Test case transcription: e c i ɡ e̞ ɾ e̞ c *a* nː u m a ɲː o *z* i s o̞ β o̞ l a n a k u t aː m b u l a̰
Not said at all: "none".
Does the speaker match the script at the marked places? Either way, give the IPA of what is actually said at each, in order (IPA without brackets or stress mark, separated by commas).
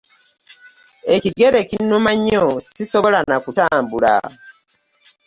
i, s